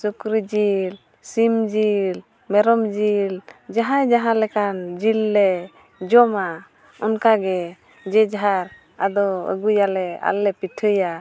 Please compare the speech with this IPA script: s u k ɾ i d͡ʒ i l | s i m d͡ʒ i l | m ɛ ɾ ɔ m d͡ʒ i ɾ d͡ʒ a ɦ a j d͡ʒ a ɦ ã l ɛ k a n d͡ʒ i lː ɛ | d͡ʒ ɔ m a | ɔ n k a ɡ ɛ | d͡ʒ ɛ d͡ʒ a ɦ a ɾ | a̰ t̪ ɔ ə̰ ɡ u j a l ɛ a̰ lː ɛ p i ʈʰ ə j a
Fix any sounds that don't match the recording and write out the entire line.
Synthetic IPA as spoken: s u k ɾ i d͡ʒ i l | s i m d͡ʒ i l | m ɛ ɾ ɔ m d͡ʒ i l d͡ʒ a ɦ a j d͡ʒ a ɦ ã l ɛ k a n d͡ʒ i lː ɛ | d͡ʒ ɔ m a | ɔ n k a ɡ ɛ | d͡ʒ ɛ d͡ʒ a ɦ a ɾ | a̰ d̪ ɔ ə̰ ɡ u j a l ɛ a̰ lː ɛ p i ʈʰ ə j a